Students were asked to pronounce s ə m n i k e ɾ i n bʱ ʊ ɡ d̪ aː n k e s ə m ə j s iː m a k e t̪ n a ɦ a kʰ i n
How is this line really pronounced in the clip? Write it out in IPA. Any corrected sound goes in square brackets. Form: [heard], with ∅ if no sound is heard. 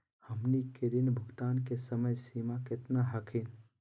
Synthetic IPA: [h] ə m n i k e ɾ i n bʱ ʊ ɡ [t̪] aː n k e s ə m ə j s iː m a k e t̪ n a ɦ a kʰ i n